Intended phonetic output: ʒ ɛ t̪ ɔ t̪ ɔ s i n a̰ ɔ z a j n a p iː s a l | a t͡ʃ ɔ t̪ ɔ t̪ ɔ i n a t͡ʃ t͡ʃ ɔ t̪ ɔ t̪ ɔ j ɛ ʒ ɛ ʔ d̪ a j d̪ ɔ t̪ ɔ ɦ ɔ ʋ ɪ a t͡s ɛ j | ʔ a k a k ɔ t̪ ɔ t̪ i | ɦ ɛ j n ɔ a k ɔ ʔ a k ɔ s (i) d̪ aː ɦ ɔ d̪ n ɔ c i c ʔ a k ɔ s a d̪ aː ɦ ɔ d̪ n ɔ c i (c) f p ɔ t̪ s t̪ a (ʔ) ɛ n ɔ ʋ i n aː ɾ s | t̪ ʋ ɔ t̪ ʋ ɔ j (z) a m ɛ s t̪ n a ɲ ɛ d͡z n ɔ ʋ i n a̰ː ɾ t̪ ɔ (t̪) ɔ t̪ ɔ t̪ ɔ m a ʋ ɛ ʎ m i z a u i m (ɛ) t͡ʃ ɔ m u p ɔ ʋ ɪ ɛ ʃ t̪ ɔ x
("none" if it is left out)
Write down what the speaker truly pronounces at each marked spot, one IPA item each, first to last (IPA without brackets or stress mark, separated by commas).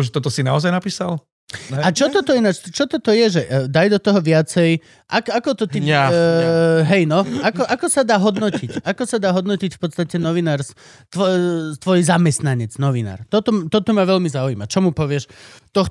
a, c, c, z, t̪, a